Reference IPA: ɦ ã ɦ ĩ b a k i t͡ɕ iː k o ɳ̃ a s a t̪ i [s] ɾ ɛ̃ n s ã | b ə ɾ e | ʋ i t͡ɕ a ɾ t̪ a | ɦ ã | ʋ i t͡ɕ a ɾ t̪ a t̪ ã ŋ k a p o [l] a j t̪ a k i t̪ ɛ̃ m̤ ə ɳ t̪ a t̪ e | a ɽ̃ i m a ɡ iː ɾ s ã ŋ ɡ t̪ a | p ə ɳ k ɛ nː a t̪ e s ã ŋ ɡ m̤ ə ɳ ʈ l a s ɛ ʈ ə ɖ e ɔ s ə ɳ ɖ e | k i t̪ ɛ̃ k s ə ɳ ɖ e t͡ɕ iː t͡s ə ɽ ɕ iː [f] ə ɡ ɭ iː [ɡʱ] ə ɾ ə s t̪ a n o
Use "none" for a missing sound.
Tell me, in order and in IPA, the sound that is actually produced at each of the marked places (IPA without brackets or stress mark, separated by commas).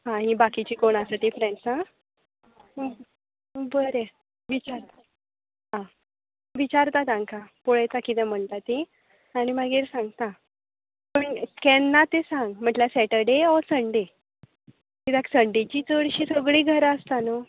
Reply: f, ɭ, s, ɡʱ